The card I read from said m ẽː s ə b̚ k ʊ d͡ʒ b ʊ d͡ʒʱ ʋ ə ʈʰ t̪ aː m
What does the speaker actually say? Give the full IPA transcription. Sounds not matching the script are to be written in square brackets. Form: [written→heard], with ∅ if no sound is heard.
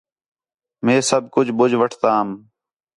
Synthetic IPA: m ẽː s ə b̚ k ʊ d͡ʒ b ʊ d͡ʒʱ ʋ ə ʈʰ t̪ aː m